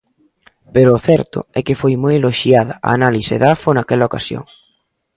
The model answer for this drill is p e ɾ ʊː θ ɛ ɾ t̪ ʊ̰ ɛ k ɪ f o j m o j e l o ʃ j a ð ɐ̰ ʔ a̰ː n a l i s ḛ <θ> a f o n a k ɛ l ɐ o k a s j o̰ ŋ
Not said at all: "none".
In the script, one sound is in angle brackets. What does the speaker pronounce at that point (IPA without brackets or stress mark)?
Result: ð